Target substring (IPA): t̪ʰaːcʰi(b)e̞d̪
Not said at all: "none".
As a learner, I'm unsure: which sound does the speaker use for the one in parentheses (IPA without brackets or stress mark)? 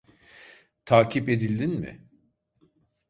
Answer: p